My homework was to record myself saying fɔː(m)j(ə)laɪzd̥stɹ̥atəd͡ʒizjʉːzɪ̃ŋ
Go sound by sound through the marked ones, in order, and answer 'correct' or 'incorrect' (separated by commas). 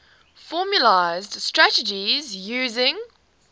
correct, correct